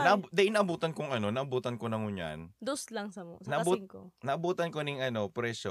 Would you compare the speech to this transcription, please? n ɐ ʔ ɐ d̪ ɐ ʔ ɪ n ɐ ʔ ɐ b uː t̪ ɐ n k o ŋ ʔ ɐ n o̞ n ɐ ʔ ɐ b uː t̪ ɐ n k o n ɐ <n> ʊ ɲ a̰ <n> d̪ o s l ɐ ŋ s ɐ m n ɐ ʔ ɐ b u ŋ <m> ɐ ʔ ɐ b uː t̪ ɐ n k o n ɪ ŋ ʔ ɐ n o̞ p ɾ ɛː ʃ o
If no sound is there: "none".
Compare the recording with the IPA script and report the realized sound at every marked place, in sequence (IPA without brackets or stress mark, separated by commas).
ŋ, n, n